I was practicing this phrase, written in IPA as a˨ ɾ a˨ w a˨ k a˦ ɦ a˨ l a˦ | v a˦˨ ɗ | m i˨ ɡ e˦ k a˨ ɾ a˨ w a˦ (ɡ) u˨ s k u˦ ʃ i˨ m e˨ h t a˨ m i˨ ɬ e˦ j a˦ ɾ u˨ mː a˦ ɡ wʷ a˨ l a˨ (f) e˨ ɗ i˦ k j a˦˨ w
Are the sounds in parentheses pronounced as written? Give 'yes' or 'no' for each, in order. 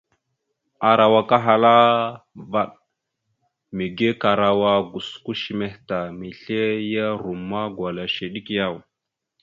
yes, no

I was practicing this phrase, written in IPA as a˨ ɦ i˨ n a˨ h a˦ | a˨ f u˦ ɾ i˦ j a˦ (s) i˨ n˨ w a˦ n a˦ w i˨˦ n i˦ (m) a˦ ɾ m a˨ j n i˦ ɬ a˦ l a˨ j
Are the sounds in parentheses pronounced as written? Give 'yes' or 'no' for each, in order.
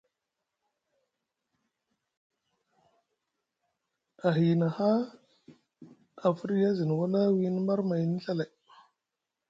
no, yes

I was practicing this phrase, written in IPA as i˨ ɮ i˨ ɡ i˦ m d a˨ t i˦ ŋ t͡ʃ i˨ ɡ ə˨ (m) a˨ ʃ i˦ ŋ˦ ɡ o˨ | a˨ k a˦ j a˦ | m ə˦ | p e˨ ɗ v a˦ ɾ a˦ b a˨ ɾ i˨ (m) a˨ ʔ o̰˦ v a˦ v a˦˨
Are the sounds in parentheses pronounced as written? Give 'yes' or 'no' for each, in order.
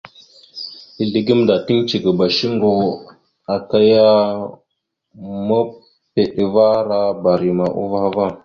no, yes

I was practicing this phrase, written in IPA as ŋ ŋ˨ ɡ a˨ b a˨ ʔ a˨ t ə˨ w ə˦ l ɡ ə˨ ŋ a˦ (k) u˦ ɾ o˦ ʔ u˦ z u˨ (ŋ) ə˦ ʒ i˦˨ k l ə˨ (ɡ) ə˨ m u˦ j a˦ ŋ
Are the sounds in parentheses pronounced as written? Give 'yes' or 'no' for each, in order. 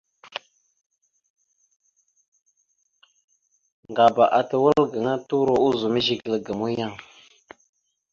no, no, yes

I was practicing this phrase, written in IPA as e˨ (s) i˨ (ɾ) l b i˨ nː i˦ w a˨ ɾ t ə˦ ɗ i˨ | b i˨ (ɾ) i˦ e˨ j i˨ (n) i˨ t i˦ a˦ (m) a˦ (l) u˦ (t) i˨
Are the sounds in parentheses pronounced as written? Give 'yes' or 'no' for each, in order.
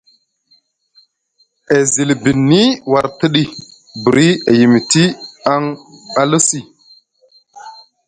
no, no, yes, no, no, yes, no

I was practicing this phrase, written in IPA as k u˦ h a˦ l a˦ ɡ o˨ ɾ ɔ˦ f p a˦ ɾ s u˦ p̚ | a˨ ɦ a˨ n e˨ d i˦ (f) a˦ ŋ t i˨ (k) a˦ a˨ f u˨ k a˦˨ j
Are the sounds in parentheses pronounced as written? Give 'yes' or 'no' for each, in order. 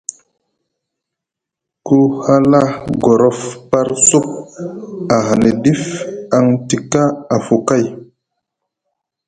yes, yes

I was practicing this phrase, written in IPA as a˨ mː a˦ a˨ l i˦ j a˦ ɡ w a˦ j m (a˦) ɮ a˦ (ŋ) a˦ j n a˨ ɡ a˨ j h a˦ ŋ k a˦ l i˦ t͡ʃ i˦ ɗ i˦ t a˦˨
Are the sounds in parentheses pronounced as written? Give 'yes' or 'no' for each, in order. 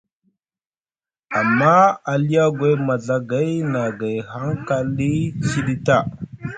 no, no

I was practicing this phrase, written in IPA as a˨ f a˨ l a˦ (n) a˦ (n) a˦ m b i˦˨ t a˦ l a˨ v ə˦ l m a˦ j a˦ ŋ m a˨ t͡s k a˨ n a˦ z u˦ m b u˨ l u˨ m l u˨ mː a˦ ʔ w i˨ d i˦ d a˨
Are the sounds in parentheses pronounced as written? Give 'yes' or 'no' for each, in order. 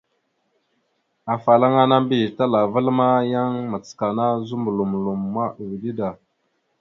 no, yes

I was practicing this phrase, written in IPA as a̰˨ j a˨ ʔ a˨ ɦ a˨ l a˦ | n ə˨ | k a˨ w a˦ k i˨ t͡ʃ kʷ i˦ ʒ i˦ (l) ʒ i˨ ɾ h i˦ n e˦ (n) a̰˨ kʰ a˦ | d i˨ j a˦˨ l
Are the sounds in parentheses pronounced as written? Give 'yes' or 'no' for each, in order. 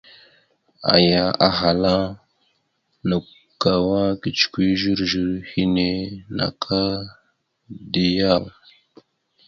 no, yes

